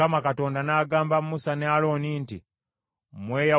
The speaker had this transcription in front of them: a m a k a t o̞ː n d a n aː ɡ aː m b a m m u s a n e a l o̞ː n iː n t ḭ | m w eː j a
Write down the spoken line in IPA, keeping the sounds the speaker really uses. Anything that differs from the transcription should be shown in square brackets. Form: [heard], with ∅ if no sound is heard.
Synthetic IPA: a m a k a t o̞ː n d a n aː ɡ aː m b a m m u s a n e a l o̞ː n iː n t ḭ | m w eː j a